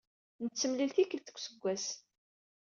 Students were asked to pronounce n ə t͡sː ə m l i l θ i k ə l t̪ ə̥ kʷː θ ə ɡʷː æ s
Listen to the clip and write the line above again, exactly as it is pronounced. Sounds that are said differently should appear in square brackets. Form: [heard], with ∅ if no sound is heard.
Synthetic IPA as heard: n ə t͡sː ə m l i l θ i k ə l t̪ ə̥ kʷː [s] ə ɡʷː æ s